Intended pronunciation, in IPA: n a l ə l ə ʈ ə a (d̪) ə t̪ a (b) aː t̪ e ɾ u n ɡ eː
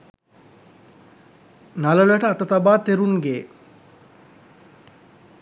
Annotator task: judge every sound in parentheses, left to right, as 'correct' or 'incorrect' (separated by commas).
incorrect, correct